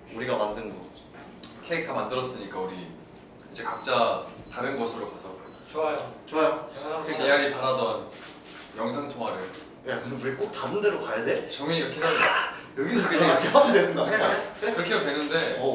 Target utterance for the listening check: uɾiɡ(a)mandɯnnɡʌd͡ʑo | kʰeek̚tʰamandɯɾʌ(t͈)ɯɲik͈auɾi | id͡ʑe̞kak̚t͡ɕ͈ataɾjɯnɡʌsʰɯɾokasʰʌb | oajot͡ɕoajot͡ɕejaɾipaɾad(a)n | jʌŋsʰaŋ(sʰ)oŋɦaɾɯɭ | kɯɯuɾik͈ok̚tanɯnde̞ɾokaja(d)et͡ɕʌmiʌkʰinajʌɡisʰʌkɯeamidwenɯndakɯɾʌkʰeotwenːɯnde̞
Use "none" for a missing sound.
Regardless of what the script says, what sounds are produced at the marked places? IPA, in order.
a, s͈, ʌ, tʰ, d

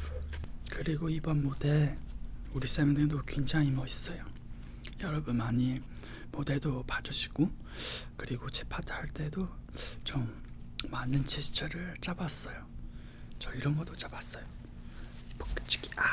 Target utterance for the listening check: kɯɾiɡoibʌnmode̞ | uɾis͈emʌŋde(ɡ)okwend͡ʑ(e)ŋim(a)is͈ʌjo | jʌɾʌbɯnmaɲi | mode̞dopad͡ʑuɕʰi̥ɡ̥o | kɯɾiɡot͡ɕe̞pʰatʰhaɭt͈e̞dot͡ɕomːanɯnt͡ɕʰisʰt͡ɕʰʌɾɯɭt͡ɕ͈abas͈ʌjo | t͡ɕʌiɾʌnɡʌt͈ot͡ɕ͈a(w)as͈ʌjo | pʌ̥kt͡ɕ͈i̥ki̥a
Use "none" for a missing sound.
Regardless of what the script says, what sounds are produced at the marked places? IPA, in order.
d, a, ʌ, b

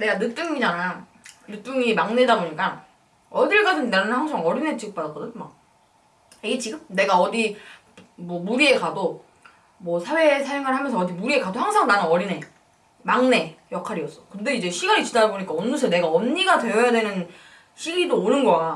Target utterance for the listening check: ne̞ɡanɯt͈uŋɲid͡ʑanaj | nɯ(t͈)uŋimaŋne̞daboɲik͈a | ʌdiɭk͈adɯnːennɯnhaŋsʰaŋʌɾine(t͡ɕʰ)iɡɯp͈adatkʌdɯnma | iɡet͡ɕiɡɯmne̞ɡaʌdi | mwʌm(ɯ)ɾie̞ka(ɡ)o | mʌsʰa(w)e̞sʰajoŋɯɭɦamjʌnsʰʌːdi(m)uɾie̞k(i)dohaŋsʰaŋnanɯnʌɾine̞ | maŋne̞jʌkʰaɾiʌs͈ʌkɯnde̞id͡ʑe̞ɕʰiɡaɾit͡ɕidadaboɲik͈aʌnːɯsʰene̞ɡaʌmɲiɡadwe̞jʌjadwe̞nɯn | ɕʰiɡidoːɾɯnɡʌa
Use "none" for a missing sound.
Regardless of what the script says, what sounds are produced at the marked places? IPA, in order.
t͈, t͡ɕ, u, d, w, m, a

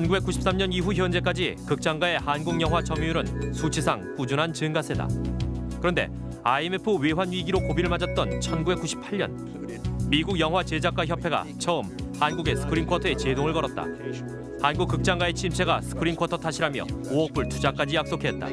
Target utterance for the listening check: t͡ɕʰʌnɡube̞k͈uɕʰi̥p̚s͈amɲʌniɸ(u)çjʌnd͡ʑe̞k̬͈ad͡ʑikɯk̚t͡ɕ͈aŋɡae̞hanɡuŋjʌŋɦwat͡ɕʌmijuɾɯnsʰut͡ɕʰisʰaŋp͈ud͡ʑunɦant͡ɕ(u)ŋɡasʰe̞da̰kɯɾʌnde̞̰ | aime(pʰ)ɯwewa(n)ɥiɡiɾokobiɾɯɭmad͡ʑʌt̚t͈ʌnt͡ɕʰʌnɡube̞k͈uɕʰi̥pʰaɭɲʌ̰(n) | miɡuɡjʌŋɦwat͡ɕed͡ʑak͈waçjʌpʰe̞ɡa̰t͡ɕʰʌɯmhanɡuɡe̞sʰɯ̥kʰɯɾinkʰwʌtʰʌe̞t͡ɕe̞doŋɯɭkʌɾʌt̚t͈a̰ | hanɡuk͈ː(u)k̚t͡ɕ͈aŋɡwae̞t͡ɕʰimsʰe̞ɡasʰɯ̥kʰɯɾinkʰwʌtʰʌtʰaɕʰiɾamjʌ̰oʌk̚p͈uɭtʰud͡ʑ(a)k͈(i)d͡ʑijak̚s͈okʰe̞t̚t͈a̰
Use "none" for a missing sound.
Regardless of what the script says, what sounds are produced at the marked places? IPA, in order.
u, ɯ, pʰ, n, n, ɯ, a, a

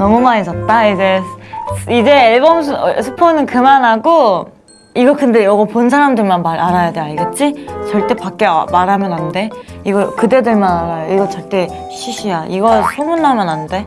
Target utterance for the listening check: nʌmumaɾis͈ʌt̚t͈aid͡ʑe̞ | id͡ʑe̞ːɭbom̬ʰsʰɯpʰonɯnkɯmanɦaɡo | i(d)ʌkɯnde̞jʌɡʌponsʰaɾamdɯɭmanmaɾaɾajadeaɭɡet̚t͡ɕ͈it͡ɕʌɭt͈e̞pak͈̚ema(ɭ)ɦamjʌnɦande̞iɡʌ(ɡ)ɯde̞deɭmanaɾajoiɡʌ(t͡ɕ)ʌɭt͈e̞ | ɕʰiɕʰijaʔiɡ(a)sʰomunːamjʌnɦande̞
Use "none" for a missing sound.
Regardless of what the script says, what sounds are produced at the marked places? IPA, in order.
ɡ, ɾ, k, t͡ɕ, ʌ

